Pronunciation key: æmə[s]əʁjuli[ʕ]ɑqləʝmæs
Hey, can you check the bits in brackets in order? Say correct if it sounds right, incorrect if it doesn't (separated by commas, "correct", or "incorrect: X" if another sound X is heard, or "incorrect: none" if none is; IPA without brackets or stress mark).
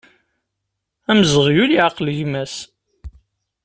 incorrect: z, correct